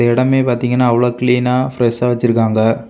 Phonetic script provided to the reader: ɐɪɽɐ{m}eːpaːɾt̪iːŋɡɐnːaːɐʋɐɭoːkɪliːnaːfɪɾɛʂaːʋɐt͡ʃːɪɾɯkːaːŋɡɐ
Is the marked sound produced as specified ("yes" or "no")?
yes